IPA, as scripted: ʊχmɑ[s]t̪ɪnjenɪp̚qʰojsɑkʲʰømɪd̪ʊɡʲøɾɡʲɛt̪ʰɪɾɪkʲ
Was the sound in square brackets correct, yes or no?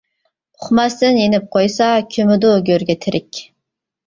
yes